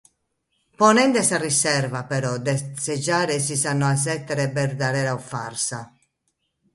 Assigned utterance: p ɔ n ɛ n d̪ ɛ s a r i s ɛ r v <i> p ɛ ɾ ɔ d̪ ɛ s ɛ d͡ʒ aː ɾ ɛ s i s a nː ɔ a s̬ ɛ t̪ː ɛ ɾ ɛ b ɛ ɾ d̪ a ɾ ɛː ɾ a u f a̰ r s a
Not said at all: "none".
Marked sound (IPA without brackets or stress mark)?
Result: a